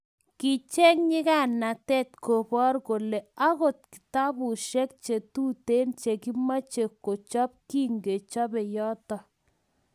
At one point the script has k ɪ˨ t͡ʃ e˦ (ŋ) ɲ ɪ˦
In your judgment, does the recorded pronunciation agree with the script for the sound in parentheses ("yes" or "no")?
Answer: yes